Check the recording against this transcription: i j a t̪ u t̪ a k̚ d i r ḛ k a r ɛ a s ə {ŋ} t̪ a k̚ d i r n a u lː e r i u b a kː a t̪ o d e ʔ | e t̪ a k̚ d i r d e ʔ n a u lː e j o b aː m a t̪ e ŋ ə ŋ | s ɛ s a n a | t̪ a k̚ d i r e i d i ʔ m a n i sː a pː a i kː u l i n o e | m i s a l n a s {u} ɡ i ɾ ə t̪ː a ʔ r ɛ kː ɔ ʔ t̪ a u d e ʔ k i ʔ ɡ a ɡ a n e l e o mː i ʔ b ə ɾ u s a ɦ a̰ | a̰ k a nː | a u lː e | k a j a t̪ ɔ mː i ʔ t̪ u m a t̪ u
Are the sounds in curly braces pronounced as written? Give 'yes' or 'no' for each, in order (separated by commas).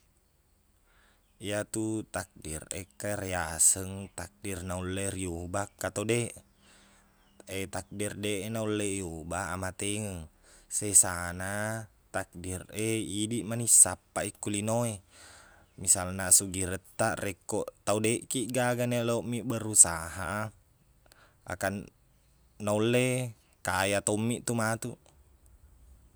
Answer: yes, yes